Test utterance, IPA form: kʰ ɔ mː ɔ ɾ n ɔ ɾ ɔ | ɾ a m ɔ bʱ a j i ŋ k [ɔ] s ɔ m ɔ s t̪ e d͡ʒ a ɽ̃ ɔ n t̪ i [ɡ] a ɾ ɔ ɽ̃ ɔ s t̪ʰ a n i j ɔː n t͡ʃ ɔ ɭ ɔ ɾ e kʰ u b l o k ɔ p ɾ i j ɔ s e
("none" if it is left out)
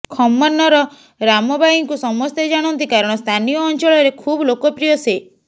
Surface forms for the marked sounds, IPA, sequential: u, k

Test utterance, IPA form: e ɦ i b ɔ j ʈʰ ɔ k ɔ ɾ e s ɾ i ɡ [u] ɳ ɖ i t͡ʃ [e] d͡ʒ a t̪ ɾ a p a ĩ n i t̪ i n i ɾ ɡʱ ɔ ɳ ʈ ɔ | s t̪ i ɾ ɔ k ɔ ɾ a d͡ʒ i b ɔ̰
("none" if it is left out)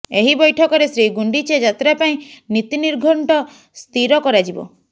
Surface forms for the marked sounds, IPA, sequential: u, e

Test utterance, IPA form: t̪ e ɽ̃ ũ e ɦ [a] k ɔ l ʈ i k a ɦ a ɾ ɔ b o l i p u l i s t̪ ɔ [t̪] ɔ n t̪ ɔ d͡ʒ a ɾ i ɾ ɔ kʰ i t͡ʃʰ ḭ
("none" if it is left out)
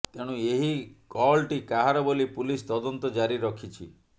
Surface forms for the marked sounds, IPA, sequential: i, d̪

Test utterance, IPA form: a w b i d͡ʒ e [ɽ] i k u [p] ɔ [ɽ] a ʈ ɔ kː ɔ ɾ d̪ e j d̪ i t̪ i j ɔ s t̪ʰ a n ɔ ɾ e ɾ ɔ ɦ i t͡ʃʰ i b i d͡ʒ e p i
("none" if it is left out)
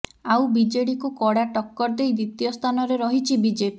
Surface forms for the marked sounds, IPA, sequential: ɽ, k, ɽ

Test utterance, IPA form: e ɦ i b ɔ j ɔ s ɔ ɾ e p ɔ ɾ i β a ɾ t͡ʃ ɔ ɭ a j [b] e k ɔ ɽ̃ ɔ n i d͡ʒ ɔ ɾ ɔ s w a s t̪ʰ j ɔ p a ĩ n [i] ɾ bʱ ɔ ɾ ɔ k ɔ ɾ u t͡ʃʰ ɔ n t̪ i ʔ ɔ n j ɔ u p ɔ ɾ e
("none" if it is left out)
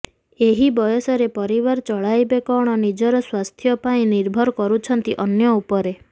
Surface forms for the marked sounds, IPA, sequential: b, i

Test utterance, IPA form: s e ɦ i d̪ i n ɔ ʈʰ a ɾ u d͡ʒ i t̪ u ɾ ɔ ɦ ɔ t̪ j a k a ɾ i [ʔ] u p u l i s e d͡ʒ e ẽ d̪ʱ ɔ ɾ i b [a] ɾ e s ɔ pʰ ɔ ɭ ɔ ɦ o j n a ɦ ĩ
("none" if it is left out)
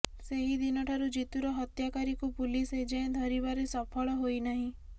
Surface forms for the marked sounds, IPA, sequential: k, a

